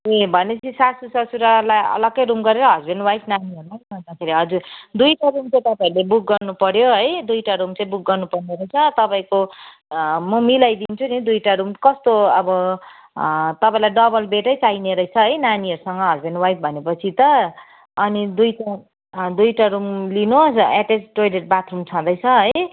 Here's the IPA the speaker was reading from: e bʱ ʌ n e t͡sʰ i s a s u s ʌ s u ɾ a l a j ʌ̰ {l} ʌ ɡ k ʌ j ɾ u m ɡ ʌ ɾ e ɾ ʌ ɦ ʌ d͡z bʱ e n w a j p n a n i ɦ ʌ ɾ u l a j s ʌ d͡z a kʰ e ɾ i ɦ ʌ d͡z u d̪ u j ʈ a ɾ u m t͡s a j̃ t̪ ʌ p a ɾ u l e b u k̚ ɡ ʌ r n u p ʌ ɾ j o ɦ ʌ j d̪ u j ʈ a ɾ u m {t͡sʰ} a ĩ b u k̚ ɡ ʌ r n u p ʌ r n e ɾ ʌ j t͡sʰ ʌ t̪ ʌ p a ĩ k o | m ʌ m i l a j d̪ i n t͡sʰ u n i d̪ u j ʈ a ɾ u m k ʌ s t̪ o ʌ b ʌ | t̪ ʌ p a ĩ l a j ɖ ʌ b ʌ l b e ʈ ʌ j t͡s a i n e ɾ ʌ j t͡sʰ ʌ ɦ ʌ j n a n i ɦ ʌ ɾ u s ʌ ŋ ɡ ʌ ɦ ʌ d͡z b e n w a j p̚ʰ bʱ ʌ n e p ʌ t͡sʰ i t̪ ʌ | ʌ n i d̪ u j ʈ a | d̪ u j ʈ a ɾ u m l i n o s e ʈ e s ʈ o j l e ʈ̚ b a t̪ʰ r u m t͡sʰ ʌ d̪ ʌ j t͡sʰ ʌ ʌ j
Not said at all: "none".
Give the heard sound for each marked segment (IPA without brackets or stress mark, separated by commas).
l, t͡s